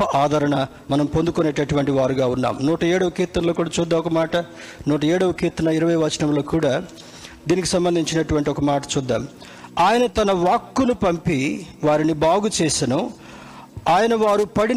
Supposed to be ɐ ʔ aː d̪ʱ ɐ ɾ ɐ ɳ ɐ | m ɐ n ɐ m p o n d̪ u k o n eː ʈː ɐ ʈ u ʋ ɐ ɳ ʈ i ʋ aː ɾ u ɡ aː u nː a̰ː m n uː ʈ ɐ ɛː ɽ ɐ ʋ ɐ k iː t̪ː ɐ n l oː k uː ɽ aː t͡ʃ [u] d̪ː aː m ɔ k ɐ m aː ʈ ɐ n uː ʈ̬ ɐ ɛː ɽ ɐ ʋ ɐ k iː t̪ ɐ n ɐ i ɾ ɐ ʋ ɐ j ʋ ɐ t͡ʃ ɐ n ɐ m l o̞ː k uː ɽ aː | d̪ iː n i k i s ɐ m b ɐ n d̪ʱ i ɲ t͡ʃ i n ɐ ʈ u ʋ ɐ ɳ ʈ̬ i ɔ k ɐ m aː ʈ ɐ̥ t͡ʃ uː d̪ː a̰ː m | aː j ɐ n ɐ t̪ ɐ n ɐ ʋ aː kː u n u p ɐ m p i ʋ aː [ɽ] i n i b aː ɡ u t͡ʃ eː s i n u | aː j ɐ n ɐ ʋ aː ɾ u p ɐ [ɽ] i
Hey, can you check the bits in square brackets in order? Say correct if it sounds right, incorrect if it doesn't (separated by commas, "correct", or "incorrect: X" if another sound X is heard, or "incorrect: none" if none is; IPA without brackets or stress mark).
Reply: incorrect: uː, incorrect: ɾ, correct